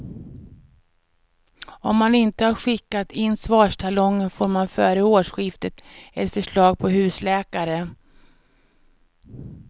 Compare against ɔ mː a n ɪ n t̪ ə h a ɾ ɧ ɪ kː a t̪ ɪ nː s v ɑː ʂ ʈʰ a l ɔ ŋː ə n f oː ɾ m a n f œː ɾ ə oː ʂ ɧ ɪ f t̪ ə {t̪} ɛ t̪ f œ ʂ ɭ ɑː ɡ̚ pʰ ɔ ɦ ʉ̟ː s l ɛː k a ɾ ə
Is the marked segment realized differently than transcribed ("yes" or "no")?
no